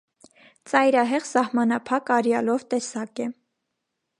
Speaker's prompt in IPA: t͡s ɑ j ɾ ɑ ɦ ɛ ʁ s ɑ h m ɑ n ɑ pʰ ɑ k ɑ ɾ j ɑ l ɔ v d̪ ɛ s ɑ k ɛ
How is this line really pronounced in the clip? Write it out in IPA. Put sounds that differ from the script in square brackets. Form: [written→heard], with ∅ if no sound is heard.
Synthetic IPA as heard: t͡s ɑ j ɾ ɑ ɦ ɛ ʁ s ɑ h m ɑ n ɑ pʰ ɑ k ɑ ɾ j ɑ l ɔ v [d̪→t̪] ɛ s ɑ k ɛ